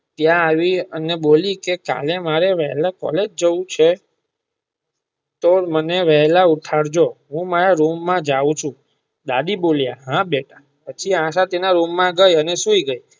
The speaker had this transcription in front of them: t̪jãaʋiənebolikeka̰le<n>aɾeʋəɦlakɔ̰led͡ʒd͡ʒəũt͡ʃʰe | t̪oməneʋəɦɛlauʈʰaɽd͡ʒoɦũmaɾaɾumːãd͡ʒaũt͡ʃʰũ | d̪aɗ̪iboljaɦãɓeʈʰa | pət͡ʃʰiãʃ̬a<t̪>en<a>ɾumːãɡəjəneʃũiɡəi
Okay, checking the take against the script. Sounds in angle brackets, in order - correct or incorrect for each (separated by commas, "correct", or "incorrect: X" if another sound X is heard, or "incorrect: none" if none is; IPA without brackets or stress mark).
incorrect: m, correct, correct